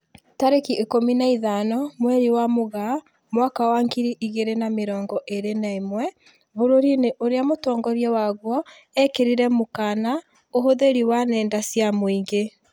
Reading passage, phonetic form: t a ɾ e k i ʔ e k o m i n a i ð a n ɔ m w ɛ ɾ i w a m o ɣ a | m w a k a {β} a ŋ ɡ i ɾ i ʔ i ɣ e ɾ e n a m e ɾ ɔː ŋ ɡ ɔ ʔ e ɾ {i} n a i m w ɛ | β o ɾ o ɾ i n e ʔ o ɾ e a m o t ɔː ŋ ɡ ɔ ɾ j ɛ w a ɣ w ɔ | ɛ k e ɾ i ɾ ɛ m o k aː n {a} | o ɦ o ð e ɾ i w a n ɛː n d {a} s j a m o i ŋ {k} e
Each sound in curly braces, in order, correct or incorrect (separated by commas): incorrect, incorrect, correct, correct, incorrect